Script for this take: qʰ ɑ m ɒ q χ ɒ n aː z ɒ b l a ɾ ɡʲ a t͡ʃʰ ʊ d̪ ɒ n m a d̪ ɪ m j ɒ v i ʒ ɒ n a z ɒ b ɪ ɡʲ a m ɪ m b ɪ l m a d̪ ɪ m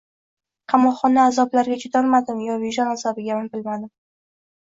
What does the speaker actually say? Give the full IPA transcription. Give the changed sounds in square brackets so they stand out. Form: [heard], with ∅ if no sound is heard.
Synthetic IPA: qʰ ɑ m ɒ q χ ɒ n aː z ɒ b l a ɾ ɡʲ a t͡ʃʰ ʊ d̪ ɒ n m a d̪ ɪ m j ɒ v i ʒ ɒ n a z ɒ b ɪ ɡʲ a m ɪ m b ɪ l m a d̪ ɪ m